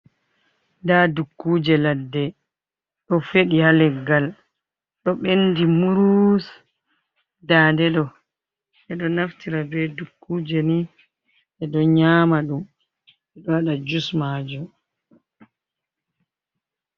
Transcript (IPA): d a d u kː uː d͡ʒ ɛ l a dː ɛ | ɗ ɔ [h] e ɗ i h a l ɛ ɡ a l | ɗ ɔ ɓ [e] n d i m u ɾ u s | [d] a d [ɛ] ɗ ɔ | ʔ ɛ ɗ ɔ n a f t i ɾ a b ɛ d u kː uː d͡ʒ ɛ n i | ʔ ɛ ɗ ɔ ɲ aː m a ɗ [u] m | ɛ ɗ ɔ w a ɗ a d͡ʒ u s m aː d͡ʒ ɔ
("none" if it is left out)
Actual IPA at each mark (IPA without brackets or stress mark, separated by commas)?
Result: f, e, d, ɛ, u